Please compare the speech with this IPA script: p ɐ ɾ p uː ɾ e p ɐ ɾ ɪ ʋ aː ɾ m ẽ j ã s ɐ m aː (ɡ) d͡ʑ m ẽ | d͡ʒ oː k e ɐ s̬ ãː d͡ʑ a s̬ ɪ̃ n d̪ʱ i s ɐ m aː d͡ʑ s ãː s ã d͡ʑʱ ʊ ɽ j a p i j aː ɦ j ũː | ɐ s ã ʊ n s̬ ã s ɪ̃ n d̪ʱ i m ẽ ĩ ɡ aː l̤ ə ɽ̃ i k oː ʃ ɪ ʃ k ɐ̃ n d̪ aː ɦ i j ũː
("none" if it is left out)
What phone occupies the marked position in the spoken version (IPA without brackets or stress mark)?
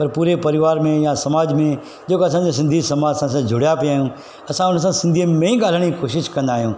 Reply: none